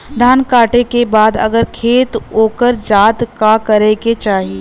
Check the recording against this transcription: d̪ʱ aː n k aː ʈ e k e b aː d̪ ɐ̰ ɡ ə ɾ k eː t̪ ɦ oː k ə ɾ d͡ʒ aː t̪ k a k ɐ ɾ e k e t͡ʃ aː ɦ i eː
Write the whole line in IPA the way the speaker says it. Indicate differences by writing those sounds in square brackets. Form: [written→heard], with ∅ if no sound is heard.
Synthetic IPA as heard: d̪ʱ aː n k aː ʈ e k e b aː d̪ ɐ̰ ɡ ə ɾ [k→kʰ] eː t̪ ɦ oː k ə ɾ d͡ʒ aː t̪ k a k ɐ ɾ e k e t͡ʃ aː ɦ i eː